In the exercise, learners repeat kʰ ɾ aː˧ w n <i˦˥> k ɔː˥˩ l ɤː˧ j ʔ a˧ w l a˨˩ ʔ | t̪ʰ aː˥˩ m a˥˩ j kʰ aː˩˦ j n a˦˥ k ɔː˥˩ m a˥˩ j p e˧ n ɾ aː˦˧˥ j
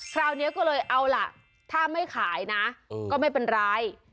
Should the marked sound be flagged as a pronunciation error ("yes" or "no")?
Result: no